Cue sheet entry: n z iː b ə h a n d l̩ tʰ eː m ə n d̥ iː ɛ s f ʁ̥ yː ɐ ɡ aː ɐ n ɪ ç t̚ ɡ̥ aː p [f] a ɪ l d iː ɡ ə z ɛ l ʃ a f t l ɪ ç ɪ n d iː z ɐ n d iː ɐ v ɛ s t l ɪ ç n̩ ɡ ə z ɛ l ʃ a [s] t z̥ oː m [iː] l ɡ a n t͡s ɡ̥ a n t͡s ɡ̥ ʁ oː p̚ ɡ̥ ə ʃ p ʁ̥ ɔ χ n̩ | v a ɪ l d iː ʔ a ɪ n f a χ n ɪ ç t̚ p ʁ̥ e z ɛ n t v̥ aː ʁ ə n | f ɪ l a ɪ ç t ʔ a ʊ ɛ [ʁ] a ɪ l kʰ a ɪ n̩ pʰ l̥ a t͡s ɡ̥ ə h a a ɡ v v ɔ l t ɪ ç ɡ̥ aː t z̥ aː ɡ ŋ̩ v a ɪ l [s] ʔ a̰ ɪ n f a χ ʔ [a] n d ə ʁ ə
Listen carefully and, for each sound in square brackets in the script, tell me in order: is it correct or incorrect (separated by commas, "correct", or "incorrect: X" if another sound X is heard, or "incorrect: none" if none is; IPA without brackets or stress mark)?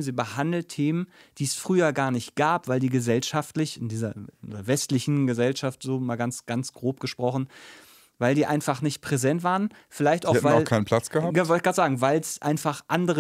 incorrect: v, incorrect: f, incorrect: aː, incorrect: v, correct, correct